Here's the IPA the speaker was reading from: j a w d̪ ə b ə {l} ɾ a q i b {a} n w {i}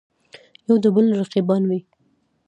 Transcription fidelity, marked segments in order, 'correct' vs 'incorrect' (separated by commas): correct, incorrect, correct